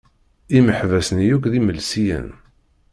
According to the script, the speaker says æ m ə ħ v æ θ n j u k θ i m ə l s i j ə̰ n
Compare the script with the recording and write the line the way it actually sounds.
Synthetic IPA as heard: i m ə ħ v æ s n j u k ð i m ə l s i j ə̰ n